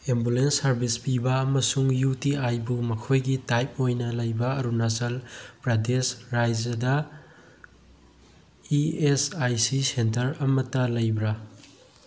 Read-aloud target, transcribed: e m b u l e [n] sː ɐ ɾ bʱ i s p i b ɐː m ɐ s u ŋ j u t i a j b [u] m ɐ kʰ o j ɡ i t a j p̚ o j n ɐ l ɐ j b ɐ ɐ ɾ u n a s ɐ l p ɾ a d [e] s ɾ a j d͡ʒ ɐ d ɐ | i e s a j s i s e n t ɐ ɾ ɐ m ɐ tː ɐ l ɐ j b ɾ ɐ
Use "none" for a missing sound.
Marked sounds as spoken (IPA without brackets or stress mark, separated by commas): n, u, e